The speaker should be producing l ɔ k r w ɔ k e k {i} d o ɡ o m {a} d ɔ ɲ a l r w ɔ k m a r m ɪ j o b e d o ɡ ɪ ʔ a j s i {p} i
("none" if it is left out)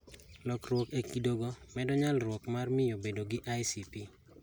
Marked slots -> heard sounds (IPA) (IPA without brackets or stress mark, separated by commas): i, ɛ, p